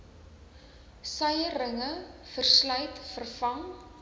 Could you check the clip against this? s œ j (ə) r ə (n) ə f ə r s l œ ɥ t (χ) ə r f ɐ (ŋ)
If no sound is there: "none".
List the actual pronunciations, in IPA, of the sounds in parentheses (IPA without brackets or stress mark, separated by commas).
ə, ŋ, f, ŋ